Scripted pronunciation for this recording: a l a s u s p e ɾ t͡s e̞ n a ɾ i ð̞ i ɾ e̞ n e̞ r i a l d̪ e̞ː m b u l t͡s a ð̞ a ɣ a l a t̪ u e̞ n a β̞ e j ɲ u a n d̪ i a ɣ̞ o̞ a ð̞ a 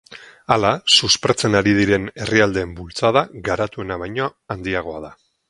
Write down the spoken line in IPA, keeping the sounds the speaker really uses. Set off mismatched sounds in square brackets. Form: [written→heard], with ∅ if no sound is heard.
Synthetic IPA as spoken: a l a s u s p e ɾ t͡s e̞ n a ɾ i ð̞ i ɾ e̞ n e̞ r i a l d̪ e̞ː m b u l t͡s a ð̞ a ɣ a [l→ɾ] a t̪ u e̞ n a β̞ [e→a] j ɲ [u→o] a n d̪ i a ɣ̞ o̞ a ð̞ a